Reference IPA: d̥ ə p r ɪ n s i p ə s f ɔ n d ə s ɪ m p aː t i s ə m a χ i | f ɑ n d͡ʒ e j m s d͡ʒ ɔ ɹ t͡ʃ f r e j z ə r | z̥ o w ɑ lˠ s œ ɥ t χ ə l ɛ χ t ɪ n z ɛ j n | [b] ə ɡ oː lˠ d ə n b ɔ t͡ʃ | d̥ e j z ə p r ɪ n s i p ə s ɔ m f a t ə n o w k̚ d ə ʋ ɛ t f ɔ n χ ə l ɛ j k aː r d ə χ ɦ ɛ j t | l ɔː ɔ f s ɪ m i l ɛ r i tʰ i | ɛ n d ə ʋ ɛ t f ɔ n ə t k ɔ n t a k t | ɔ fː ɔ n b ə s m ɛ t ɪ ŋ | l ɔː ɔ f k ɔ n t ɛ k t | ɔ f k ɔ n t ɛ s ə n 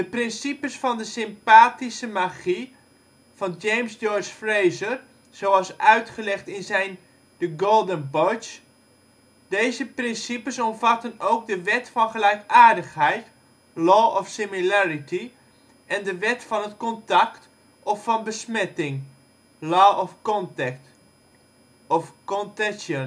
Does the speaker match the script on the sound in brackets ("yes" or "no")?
no